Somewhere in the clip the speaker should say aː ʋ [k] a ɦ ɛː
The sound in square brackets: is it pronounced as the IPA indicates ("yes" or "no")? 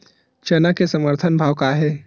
yes